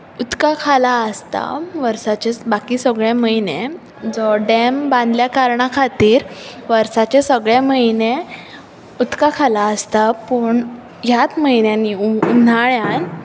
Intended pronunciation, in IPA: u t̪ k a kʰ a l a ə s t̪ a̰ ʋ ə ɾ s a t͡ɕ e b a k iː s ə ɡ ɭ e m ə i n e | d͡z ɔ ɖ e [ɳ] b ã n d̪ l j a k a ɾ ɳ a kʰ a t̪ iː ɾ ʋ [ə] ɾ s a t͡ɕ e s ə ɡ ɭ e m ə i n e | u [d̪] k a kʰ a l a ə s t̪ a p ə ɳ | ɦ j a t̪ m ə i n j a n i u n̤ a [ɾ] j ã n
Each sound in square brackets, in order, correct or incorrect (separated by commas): incorrect, correct, incorrect, incorrect